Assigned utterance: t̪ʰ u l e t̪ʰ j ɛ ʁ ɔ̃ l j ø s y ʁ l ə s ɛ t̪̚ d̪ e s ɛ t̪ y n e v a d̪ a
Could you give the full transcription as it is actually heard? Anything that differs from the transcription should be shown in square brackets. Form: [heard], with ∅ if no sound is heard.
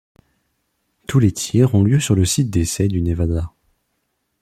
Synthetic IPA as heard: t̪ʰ u l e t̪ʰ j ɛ ʁ ɔ̃ l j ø s y ʁ l ə s [i] t̪̚ d̪ e s ɛ [d̪] y n e v a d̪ a